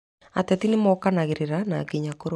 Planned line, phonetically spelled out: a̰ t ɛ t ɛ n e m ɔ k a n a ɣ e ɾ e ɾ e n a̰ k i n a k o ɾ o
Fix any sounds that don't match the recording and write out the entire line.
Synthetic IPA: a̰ t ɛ t i n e m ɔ k a n a ɣ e ɾ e ɾ a n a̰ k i ɲ a k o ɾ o